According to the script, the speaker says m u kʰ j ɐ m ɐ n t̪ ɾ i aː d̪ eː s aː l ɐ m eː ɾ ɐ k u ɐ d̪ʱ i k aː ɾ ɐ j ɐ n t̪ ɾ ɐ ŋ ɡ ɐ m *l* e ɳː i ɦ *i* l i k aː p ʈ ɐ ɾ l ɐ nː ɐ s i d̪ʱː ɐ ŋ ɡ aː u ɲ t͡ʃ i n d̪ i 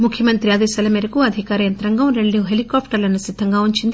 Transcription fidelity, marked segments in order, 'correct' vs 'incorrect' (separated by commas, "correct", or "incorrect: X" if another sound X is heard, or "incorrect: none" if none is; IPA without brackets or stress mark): incorrect: ɾ, incorrect: e